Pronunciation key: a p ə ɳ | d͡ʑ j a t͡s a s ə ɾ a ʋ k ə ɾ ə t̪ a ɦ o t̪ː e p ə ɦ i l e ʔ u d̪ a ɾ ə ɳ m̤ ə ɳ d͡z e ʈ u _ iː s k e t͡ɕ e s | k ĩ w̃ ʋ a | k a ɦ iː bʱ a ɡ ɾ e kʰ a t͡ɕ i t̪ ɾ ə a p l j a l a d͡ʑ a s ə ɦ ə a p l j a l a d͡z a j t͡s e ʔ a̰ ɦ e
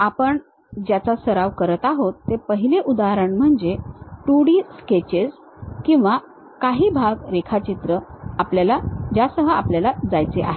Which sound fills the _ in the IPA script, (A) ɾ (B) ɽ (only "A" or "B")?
B